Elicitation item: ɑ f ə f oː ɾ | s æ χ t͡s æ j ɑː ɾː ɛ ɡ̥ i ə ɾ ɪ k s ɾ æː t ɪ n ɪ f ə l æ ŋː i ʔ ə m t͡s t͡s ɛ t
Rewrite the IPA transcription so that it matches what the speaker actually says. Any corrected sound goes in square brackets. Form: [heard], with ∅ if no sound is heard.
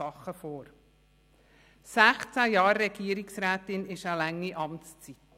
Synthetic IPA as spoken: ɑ [χ] ə f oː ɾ | s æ χ t͡s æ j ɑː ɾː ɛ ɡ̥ i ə ɾ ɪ k s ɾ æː t ɪ n ɪ [ʃ] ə l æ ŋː i ʔ [ɑ] m t͡s t͡s [i] t